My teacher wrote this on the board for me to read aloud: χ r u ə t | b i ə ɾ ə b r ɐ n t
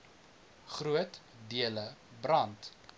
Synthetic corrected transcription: χ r u ə t | d i ə l ə b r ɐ n t